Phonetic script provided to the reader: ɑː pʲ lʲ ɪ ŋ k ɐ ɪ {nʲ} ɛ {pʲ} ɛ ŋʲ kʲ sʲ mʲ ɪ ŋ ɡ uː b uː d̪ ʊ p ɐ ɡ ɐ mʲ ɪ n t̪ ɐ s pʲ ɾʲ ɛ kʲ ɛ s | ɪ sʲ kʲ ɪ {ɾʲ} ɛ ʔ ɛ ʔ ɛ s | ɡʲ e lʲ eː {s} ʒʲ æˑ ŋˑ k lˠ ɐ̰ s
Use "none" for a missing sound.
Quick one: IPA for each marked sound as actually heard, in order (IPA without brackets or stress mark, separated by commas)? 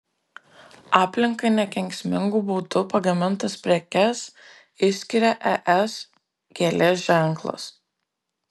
nʲ, kʲ, ɾʲ, s